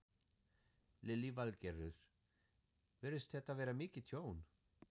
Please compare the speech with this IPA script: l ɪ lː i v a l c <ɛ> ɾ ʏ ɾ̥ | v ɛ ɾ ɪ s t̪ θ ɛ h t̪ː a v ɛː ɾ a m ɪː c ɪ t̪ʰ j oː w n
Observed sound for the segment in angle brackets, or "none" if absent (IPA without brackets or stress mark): ɛ